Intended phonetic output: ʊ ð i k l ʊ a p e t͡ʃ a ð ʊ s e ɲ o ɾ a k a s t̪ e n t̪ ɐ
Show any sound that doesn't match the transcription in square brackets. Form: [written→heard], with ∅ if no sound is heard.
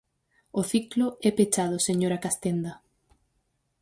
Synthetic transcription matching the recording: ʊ [ð→θ] i k l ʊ [a→ɛ] p e t͡ʃ a ð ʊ s e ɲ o ɾ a k a s t̪ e n [t̪→d̪] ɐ